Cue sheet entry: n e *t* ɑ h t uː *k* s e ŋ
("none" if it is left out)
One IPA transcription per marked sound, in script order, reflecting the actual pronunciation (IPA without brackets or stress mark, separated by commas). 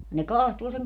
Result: k, none